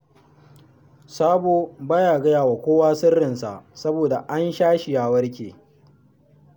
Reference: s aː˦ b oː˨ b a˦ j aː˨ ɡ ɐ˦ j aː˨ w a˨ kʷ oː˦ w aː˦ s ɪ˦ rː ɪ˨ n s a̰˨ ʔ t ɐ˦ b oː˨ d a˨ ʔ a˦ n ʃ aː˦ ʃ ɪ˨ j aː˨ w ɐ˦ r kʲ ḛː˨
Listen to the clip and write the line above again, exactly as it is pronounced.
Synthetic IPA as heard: s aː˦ b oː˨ b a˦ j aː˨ ɡ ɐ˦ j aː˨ w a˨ kʷ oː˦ w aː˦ s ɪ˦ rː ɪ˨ n s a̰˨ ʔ s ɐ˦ b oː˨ d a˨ ʔ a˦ n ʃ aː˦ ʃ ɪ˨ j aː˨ w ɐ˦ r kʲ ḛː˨